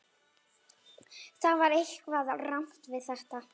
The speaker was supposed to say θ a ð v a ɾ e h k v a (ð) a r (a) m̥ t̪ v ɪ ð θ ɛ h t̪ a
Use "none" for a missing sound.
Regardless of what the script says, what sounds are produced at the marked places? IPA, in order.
ð, a

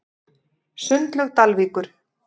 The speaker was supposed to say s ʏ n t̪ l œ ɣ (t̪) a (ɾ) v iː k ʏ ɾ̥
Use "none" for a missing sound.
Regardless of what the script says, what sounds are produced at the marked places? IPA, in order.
t̪, l

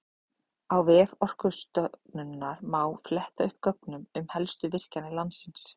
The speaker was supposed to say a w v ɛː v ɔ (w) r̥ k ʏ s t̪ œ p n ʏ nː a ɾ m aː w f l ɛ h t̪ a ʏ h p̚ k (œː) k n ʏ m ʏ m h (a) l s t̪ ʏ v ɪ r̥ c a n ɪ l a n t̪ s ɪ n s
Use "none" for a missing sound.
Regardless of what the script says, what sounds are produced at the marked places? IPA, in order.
none, œ, ɛ

